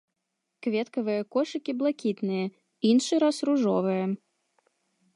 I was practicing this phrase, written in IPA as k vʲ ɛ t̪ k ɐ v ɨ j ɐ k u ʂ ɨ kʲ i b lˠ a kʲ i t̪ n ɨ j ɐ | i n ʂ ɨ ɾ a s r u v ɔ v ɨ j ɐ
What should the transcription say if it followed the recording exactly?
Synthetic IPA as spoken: k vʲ ɛ t̪ k ɐ v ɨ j ɐ k ɔ ʂ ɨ kʲ i b lˠ a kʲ i t̪ n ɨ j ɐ | i n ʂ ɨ ɾ a s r u ʐ ɔ v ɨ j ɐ